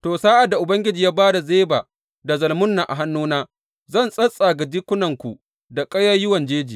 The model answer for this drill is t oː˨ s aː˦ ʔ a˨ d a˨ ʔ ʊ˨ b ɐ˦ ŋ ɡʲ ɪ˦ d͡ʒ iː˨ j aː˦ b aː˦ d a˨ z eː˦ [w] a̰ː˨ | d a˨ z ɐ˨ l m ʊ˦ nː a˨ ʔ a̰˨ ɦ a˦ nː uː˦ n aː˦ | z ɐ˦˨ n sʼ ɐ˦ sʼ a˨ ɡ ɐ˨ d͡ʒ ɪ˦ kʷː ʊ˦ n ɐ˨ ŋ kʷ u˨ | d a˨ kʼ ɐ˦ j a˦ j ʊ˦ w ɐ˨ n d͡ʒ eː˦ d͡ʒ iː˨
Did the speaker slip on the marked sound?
yes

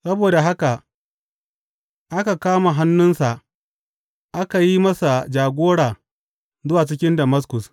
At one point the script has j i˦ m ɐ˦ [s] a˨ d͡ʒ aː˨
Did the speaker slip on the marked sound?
no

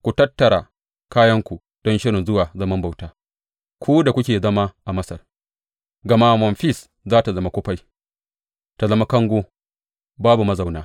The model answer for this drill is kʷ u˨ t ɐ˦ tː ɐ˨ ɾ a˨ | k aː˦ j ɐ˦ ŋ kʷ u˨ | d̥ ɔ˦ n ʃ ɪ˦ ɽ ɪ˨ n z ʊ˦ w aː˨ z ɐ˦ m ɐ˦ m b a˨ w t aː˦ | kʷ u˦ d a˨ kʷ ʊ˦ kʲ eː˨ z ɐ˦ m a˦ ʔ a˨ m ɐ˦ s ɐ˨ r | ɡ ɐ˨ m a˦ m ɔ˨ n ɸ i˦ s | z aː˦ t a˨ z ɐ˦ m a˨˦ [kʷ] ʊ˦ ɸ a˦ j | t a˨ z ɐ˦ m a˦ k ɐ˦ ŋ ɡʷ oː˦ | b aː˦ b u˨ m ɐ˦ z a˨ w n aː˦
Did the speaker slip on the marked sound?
no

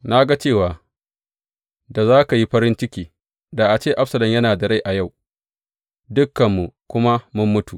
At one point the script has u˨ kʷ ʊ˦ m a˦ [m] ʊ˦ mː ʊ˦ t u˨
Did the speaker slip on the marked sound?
no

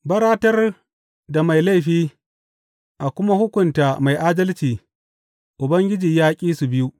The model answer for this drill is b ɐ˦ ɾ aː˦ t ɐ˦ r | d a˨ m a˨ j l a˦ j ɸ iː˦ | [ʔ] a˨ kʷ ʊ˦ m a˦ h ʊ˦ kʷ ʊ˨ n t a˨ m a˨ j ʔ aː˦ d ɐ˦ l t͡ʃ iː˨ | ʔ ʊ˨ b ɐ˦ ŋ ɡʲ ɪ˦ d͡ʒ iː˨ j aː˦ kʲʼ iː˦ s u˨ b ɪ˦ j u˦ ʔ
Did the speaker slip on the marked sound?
no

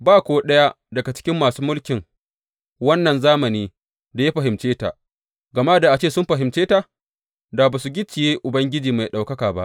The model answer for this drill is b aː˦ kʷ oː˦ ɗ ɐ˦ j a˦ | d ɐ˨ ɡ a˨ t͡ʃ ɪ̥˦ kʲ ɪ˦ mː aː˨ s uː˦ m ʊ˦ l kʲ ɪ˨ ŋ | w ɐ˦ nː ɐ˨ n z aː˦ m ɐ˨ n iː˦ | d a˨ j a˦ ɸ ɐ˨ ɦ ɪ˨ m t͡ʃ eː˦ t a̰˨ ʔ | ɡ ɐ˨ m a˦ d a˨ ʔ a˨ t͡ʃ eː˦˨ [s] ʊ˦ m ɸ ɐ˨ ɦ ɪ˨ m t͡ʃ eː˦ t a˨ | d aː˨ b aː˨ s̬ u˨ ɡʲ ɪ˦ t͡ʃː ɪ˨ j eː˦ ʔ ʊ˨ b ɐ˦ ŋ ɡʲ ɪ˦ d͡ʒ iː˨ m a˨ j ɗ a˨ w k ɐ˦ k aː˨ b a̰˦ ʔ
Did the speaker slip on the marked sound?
no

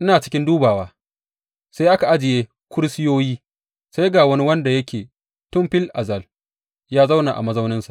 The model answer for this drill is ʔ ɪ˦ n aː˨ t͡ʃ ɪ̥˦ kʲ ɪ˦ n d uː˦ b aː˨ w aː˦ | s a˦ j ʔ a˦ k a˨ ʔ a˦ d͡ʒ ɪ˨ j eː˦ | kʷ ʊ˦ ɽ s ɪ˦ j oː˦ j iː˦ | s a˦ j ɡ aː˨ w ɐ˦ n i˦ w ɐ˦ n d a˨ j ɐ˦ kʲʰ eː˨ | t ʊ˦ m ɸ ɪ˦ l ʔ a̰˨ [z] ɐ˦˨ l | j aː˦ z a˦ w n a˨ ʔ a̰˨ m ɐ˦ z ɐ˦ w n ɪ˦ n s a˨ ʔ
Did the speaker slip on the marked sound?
no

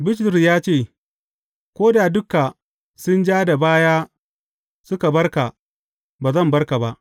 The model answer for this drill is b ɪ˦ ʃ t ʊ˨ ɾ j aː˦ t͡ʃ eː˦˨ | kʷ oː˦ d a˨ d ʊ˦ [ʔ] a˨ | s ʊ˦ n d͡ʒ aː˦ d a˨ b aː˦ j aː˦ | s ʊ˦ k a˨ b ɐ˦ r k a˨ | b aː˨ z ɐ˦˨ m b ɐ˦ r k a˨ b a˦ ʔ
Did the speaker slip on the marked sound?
yes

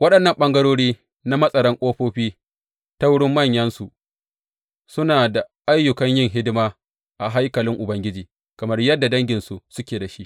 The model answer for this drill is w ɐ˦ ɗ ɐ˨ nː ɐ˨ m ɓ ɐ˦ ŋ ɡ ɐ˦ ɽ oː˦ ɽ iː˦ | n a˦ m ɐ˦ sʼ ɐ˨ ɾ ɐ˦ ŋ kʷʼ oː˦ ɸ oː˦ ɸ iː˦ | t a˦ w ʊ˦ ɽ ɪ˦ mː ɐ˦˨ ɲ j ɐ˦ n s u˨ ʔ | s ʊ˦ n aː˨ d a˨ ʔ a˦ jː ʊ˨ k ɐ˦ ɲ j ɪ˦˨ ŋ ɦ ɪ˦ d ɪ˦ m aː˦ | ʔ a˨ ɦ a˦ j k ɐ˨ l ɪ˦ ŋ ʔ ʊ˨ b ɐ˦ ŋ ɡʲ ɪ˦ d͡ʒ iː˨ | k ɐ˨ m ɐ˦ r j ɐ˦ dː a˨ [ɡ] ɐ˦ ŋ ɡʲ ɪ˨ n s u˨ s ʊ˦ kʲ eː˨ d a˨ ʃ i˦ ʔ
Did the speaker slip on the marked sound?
yes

